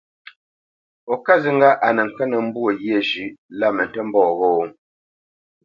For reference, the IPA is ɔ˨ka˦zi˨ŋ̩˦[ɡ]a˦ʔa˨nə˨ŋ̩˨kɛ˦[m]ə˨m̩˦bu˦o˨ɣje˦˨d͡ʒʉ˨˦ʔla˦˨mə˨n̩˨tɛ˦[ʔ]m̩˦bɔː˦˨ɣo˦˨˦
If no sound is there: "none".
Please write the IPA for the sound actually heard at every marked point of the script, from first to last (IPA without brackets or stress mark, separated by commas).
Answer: ɡ, n, none